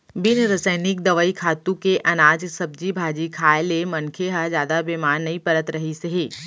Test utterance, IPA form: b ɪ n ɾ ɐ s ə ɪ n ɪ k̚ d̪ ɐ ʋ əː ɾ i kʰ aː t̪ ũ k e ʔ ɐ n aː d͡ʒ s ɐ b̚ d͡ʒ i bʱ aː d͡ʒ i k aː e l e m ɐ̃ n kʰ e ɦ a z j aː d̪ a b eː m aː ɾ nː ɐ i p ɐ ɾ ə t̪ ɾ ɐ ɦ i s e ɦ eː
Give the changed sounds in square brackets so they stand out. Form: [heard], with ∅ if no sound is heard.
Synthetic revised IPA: b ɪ n ɾ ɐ s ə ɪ n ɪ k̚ d̪ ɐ ʋ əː [∅] i kʰ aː t̪ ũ k e ʔ ɐ n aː d͡ʒ s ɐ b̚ d͡ʒ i bʱ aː d͡ʒ i [kʰ] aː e l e m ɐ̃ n kʰ e ɦ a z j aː d̪ a b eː m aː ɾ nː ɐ i p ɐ ɾ ə t̪ ɾ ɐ ɦ i s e ɦ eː